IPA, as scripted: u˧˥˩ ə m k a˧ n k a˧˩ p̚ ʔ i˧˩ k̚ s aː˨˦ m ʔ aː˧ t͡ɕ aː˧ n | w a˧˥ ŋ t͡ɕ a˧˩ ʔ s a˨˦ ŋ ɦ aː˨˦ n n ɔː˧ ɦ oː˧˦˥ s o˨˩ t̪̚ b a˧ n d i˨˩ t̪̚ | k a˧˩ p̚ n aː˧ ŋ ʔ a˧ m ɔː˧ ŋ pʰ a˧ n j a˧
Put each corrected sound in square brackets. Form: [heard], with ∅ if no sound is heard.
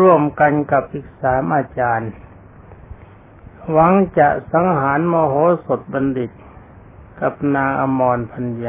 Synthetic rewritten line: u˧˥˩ ə m k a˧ n k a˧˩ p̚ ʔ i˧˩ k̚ s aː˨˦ m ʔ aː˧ t͡ɕ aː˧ n | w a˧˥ ŋ t͡ɕ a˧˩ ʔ s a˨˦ ŋ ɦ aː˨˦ n [m] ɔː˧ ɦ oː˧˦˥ s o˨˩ t̪̚ b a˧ n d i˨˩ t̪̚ | k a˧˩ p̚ n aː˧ ŋ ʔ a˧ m ɔː˧ [n] pʰ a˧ n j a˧